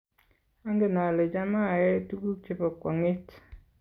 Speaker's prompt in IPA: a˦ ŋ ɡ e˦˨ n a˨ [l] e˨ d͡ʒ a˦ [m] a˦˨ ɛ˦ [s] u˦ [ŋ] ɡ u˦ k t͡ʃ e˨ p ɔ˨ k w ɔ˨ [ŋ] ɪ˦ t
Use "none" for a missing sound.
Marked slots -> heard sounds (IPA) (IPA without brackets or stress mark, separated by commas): l, m, t, none, ŋ